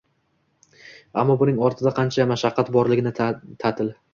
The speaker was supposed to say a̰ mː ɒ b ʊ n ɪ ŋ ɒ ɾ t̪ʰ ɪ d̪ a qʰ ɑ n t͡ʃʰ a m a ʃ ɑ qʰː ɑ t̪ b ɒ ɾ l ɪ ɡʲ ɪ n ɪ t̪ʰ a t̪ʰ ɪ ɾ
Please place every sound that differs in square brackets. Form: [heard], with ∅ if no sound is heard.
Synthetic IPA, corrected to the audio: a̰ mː ɒ b ʊ n ɪ ŋ ɒ ɾ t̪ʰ ɪ d̪ a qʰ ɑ n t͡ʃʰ a m a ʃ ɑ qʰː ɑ t̪ b ɒ ɾ l ɪ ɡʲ ɪ n ɪ t̪ʰ a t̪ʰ ɪ [l]